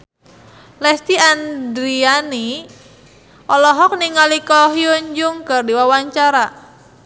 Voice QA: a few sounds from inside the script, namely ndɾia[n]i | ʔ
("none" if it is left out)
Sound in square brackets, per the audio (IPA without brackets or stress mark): n